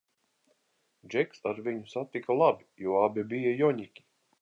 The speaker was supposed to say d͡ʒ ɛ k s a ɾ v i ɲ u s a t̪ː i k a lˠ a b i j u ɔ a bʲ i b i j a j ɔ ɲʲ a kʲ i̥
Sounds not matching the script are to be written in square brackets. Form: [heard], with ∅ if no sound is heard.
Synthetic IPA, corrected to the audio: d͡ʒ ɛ k s a ɾ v i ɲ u s a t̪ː i k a lˠ a b i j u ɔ a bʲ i b i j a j ɔ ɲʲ [i] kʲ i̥